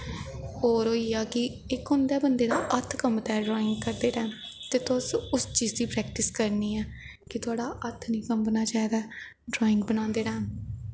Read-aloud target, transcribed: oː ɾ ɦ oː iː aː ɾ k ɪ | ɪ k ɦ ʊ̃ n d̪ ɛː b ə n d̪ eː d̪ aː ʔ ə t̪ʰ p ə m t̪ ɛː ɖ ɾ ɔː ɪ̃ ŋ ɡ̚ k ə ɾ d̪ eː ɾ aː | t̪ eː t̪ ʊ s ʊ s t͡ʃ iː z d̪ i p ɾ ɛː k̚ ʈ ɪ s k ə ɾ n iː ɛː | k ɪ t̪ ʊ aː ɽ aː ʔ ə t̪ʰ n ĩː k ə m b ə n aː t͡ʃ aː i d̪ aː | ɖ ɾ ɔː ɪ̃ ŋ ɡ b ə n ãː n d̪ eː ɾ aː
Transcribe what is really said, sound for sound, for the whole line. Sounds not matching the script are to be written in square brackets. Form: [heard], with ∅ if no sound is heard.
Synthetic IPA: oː ɾ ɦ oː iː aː [∅] k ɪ | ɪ k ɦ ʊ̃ n d̪ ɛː b ə n d̪ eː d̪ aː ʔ ə t̪ʰ [k] ə m t̪ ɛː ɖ ɾ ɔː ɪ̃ ŋ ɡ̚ k ə ɾ d̪ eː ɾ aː | t̪ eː t̪ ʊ s ʊ s t͡ʃ iː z d̪ [iː] p ɾ ɛː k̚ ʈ ɪ s k ə ɾ n iː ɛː | k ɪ t̪ ʊ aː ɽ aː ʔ ə t̪ʰ n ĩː k ə m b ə n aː t͡ʃ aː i d̪ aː | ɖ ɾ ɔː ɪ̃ ŋ ɡ b ə n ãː n d̪ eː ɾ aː